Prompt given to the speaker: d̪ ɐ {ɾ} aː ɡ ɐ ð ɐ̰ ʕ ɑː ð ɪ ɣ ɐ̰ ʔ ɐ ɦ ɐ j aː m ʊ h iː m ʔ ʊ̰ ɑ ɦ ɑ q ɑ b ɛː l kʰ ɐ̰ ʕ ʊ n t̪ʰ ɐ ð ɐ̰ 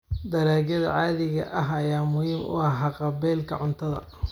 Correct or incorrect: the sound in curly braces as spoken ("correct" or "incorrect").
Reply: correct